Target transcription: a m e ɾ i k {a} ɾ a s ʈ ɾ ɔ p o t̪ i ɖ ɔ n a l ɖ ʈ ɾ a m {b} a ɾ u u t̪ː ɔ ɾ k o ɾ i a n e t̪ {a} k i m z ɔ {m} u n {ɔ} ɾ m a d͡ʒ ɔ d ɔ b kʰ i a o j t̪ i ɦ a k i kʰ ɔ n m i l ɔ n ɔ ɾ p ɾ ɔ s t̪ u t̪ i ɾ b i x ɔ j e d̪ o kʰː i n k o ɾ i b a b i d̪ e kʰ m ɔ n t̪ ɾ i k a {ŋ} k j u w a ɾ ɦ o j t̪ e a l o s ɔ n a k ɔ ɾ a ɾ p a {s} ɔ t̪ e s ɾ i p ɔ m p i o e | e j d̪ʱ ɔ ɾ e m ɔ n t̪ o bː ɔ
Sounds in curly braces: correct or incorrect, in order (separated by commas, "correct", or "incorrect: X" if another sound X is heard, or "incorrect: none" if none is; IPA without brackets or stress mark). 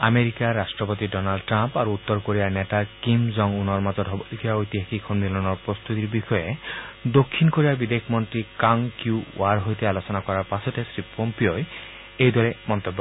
correct, incorrect: p, correct, incorrect: ŋ, correct, correct, correct